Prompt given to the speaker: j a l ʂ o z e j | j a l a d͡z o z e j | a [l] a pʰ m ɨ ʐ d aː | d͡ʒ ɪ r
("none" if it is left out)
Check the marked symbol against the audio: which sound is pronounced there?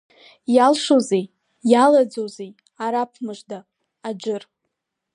ɾ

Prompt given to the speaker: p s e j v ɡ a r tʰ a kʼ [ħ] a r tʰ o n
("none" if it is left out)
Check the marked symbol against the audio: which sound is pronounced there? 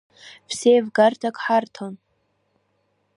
ħ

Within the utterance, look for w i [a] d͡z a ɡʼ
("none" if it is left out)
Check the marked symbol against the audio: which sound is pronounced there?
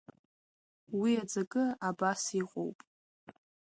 a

